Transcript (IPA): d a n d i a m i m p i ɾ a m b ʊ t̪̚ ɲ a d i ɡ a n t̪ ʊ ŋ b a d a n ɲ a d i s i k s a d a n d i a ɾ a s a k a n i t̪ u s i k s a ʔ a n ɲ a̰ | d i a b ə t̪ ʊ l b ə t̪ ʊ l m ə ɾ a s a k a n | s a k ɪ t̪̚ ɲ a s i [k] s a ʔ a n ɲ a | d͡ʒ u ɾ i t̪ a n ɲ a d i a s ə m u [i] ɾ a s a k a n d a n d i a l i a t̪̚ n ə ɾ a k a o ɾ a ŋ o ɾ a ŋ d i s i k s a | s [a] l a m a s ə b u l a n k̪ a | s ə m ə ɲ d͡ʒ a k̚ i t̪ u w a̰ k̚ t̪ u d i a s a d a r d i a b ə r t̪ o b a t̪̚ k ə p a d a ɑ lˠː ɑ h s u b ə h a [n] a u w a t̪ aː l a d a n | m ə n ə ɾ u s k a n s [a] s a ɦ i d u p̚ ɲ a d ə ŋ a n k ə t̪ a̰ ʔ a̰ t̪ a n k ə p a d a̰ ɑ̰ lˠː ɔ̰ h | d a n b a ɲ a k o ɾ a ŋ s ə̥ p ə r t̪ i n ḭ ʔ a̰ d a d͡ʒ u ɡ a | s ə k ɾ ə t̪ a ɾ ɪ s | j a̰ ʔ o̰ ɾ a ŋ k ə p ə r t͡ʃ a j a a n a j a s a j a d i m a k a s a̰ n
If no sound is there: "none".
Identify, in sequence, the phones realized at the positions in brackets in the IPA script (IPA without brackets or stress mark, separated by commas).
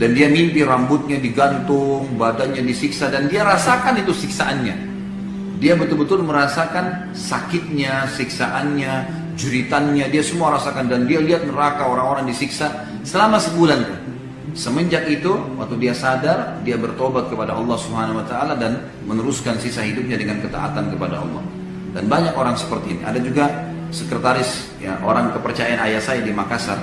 k, a, ə, n, i